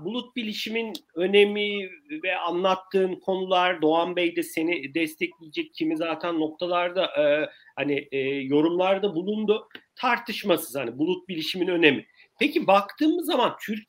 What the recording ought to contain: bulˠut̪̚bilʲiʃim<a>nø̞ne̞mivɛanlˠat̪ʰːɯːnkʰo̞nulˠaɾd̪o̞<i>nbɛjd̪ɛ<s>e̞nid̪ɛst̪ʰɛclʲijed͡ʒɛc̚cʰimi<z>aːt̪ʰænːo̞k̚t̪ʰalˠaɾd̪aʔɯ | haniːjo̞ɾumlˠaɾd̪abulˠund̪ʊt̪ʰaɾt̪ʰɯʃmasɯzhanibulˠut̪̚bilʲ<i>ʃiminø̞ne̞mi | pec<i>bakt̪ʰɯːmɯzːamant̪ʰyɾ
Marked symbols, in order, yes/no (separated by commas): no, no, yes, yes, yes, yes